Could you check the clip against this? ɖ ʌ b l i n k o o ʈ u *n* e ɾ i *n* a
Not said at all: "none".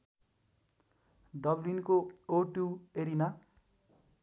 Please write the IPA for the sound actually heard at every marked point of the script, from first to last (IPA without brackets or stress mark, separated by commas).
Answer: none, n